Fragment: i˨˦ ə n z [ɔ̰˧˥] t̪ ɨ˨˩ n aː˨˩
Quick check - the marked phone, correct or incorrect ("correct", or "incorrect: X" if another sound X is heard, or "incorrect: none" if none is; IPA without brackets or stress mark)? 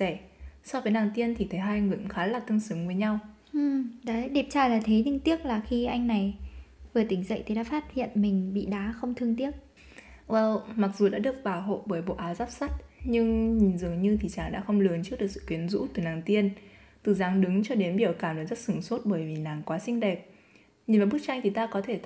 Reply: incorrect: ṵ˧˥